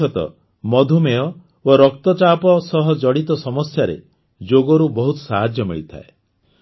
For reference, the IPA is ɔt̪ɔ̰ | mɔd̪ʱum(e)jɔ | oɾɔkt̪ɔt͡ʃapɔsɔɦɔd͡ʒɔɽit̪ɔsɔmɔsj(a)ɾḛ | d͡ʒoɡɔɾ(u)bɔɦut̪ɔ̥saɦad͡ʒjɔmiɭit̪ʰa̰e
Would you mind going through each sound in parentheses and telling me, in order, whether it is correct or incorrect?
correct, correct, correct

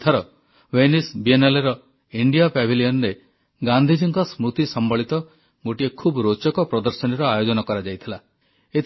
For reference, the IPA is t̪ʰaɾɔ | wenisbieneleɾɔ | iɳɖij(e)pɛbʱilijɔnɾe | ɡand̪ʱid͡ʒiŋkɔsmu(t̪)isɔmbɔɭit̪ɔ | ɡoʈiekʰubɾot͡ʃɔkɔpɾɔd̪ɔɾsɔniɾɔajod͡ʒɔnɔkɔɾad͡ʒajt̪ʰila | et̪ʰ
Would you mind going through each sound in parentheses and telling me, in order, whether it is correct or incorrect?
incorrect: a, correct

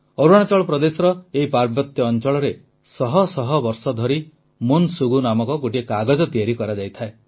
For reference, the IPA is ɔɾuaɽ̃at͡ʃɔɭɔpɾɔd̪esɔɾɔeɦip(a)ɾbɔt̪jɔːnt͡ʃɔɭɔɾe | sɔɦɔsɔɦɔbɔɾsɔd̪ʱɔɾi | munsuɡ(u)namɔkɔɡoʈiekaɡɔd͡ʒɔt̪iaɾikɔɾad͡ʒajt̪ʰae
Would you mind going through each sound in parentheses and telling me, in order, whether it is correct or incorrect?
correct, correct

